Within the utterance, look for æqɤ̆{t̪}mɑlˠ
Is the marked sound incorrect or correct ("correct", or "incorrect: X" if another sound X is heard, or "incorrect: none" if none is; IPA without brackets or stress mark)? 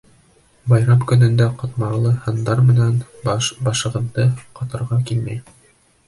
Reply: correct